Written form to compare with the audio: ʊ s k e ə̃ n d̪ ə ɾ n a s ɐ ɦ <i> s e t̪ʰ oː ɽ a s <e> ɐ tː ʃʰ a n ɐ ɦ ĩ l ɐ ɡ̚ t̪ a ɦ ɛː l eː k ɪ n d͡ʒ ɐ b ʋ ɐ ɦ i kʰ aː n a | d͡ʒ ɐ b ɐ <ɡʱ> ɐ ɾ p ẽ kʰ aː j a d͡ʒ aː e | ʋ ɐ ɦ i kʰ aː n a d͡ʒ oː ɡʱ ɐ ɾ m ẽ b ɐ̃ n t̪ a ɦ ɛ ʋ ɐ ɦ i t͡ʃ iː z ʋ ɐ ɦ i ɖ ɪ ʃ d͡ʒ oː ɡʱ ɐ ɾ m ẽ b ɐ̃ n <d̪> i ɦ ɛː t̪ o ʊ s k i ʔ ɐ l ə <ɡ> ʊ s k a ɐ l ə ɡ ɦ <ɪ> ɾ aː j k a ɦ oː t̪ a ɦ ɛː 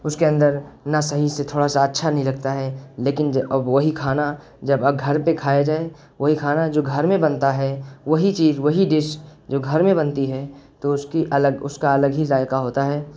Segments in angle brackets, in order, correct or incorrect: correct, incorrect, correct, incorrect, correct, incorrect

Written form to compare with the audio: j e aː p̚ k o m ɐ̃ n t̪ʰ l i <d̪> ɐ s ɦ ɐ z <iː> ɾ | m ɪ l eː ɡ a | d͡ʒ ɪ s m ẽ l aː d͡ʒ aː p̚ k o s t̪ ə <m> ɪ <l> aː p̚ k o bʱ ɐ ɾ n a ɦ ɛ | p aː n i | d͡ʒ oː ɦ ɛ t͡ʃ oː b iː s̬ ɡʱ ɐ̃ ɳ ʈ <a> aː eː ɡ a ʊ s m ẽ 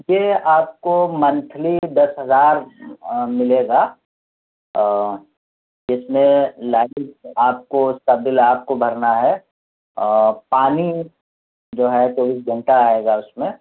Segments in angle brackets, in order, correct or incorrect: correct, incorrect, incorrect, correct, correct

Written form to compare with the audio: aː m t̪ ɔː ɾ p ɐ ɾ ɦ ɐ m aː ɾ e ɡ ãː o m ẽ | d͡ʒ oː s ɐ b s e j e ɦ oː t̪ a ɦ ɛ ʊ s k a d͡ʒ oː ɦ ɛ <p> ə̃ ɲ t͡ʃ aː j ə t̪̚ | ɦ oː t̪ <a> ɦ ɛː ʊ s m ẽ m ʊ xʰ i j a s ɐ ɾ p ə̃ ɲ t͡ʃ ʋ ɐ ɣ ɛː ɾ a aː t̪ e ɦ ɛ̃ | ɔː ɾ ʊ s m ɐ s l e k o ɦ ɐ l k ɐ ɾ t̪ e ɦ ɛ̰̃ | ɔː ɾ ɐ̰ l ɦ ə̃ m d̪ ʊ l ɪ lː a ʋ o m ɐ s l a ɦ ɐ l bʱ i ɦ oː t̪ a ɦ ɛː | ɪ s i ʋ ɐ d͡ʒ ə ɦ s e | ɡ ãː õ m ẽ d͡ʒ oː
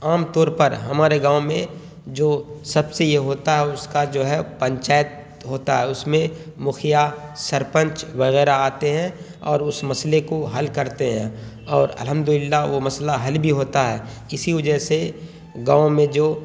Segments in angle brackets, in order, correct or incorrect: correct, correct

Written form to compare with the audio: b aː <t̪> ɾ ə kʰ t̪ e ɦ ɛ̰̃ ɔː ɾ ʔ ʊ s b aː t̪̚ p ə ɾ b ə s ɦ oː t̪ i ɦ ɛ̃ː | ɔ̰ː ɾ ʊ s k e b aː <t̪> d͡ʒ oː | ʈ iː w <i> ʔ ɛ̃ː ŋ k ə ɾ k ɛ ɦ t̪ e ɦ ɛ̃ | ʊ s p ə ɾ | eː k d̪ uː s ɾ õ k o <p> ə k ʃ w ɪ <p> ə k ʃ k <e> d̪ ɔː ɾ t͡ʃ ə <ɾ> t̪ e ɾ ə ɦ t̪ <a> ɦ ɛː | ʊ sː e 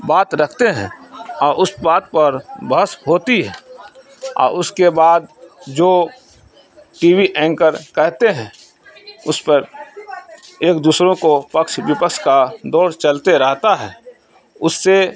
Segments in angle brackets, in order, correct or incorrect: correct, incorrect, correct, correct, correct, incorrect, incorrect, correct

